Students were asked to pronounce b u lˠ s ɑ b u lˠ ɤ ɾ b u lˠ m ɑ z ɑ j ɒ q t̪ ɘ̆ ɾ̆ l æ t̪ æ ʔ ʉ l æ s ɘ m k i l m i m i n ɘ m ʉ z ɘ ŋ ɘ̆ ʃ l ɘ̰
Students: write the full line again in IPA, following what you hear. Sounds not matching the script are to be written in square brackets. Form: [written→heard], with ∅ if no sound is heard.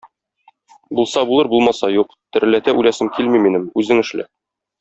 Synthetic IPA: b u lˠ s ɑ b u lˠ ɤ ɾ b u lˠ m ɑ [z→s] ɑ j [ɒ→u] q t̪ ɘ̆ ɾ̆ l æ t̪ æ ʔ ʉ l æ s ɘ m k i l m i m i n ɘ m ʉ z ɘ ŋ ɘ̆ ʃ l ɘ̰